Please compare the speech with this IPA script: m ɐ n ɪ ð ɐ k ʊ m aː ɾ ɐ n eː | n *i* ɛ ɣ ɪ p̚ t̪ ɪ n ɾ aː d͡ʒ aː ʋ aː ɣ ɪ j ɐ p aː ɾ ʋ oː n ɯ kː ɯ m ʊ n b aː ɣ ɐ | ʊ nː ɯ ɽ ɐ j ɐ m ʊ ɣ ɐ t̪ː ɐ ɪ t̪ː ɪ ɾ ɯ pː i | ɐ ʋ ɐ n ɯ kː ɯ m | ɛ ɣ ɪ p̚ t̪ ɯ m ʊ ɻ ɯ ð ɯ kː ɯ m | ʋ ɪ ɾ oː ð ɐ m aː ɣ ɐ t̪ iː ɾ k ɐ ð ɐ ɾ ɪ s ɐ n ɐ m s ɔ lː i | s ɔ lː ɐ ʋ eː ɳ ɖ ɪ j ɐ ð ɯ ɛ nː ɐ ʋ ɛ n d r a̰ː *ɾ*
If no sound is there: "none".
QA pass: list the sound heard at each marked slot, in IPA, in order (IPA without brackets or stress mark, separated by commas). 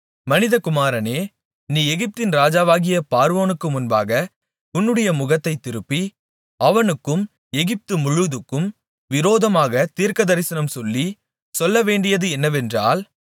iː, l